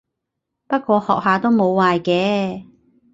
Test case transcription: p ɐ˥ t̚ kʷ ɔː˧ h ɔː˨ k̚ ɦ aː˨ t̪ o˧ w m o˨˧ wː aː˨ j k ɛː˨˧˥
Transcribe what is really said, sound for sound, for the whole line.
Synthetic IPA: p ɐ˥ t̚ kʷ ɔː˧ h ɔː˨ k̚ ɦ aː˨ t̪ o˥ w m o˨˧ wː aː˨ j k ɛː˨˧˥